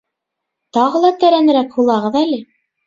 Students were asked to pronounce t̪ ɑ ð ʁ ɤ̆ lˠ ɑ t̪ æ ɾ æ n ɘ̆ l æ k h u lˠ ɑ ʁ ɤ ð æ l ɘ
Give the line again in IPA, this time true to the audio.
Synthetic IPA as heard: t̪ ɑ ʁ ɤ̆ lˠ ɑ t̪ æ ɾ æ n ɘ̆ ɾ æ k h u lˠ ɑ ʁ ɤ ð æ l ɘ